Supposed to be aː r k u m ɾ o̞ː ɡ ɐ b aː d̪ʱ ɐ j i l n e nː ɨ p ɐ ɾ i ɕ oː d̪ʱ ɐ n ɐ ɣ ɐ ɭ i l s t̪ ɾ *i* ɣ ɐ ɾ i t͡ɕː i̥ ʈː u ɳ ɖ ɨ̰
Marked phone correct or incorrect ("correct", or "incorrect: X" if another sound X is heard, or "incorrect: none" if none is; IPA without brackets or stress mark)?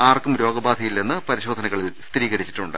incorrect: iː